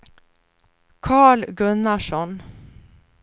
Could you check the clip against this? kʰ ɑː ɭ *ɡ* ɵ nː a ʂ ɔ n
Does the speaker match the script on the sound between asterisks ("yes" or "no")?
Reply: yes